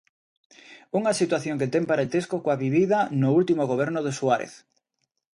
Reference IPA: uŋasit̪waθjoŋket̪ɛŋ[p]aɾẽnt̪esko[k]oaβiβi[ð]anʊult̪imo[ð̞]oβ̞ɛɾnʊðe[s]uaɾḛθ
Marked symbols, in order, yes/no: yes, yes, yes, no, yes

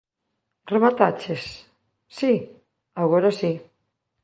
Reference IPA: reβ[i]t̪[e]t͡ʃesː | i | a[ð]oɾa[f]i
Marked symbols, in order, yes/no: no, no, no, no

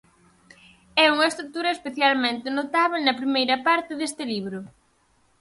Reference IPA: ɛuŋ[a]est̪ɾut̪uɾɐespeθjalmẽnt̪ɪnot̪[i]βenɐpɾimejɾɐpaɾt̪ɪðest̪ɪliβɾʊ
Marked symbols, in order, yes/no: no, no

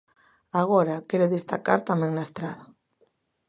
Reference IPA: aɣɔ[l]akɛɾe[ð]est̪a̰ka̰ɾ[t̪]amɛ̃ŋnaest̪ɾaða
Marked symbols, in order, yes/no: no, yes, yes

